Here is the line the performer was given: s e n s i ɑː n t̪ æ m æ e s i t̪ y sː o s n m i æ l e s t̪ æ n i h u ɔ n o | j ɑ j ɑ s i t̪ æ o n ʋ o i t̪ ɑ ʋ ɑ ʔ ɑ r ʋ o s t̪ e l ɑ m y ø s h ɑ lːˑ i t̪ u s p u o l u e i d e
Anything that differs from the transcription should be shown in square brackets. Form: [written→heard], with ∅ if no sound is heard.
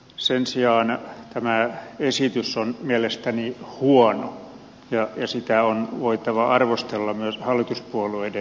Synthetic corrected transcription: s e n s i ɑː n t̪ æ m æ e s i t̪ y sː o [s→∅] n m i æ l e s t̪ æ n i h u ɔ n o | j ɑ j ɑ s i t̪ æ o n ʋ o i t̪ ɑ ʋ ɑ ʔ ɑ r ʋ o s t̪ e [l→lː] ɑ m y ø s h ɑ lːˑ i t̪ u s p u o l u e i d e